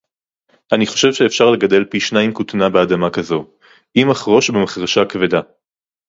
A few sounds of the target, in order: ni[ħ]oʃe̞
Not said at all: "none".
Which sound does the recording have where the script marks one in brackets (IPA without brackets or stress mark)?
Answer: χ